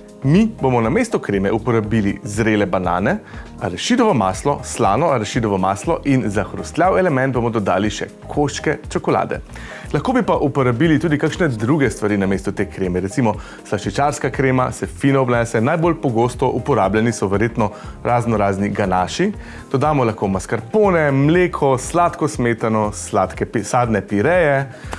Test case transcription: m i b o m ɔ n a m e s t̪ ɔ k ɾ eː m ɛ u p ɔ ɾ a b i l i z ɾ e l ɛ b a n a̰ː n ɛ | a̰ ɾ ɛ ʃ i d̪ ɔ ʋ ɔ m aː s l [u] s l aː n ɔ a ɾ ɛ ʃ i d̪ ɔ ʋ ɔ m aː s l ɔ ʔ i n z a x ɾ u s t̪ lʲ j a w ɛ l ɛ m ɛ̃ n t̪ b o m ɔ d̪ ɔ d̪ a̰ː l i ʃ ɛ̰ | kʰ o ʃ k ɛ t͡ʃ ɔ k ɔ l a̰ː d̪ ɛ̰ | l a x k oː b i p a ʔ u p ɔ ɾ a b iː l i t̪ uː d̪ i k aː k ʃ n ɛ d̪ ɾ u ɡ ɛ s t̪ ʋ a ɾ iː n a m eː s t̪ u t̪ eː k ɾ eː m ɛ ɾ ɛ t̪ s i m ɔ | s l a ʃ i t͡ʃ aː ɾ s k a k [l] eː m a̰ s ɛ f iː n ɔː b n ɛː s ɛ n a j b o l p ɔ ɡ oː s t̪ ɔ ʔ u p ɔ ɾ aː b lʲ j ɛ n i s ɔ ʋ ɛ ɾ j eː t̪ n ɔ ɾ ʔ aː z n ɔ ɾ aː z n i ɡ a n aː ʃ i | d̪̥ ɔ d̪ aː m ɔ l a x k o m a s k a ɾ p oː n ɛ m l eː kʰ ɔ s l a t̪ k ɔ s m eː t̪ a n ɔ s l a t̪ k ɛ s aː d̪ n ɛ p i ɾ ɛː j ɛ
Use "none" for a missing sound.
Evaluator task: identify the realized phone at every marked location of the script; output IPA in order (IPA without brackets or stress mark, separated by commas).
ɔ, ɾ